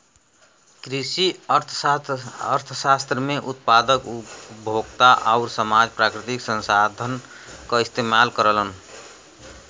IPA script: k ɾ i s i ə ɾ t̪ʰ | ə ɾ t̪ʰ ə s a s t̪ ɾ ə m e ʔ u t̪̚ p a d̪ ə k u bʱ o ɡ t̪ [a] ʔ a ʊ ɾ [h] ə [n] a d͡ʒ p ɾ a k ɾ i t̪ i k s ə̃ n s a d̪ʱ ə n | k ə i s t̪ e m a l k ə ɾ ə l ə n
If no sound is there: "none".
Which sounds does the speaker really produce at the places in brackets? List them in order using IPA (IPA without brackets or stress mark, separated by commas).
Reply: a, s, m